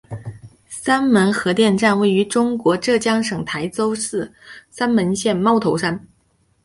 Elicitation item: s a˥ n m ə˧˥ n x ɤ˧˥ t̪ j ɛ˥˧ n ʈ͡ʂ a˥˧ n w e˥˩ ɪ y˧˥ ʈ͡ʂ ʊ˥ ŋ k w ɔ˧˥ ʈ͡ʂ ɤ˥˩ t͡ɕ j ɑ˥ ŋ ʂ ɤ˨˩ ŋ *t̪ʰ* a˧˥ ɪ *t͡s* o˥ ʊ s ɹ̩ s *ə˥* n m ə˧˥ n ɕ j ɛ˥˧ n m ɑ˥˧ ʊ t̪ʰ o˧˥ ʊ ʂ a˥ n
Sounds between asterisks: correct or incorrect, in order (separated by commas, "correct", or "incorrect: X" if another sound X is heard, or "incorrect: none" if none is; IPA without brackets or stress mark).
correct, correct, incorrect: a˥